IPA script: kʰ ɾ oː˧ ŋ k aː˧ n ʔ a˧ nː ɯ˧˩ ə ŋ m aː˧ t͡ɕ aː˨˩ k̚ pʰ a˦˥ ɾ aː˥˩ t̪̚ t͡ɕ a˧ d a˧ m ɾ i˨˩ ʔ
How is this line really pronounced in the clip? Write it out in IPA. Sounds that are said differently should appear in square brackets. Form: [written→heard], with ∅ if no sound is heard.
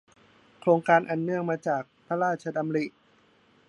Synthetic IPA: kʰ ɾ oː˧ ŋ k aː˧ n ʔ [a˧→a˨˩] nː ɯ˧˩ ə ŋ m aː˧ t͡ɕ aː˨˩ k̚ pʰ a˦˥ ɾ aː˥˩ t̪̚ [t͡ɕ→t͡ɕʰ] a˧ d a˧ m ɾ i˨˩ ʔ